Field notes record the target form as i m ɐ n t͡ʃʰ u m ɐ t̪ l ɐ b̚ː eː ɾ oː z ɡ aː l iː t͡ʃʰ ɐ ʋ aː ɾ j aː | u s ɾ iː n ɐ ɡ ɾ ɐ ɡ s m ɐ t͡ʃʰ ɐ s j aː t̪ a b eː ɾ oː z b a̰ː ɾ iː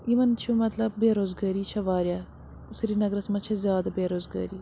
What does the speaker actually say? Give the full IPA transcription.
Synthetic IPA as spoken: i m ɐ n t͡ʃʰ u m ɐ t̪ l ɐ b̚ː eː ɾ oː z ɡ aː ɾ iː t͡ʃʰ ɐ ʋ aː ɾ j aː | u s ɾ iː n ɐ ɡ ɾ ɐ s m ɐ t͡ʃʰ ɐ z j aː d̪ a b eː ɾ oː z ɡ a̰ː ɾ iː